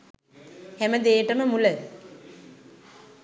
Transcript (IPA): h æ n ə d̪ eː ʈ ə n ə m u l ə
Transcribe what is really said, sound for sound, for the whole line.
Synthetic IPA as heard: h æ m ə d̪ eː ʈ ə m ə m u l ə